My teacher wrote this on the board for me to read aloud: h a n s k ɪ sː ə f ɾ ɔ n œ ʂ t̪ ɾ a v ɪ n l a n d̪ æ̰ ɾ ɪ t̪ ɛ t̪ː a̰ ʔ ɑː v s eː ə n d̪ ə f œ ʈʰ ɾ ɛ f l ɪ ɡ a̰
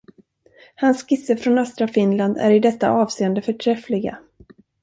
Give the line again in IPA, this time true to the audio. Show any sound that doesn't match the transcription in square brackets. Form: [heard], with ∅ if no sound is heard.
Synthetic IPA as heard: h a n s k ɪ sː ə f ɾ ɔ n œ [s] t̪ ɾ a [f] ɪ n l a n d̪ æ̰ ɾ ɪ [d̪] ɛ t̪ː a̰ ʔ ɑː v s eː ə n d̪ ə f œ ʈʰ ɾ ɛ f l ɪ ɡ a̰